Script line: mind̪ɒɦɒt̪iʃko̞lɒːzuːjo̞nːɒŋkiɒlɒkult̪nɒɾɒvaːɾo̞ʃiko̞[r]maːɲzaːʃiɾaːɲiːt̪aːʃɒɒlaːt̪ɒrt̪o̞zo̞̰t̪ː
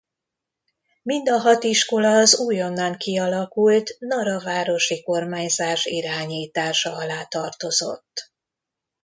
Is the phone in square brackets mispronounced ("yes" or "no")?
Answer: no